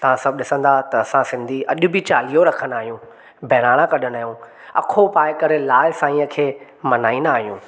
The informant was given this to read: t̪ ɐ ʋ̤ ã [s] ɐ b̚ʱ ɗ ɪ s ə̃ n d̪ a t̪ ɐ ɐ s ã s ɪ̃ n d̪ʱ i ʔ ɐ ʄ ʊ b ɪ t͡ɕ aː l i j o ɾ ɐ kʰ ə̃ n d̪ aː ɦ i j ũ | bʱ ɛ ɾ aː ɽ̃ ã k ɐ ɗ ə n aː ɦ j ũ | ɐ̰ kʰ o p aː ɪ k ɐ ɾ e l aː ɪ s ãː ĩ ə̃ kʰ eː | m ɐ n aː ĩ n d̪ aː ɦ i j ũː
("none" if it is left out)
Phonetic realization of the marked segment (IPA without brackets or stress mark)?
s